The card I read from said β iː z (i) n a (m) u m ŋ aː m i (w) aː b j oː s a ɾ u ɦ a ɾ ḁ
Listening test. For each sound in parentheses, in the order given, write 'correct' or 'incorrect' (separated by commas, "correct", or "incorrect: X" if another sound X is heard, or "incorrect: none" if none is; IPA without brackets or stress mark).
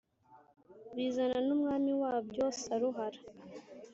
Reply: incorrect: a, incorrect: n, correct